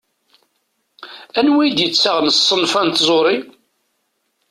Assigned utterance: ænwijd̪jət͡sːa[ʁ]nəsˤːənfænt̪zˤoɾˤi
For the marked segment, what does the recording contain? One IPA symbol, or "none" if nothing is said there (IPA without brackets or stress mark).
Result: ʁ